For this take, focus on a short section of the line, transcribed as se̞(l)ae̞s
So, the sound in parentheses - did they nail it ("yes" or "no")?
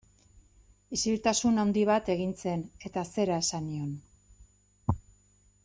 no